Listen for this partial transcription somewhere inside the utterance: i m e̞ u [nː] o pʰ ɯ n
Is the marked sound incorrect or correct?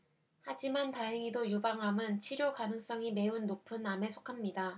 correct